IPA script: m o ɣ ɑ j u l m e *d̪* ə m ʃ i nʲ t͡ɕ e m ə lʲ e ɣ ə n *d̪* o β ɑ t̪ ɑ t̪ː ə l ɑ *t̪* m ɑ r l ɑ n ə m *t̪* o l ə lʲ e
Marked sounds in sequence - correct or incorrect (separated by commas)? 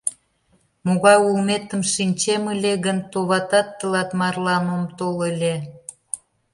incorrect, incorrect, correct, correct